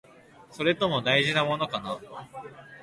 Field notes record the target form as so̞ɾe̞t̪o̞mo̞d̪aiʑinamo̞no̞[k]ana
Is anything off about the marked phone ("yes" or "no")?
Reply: no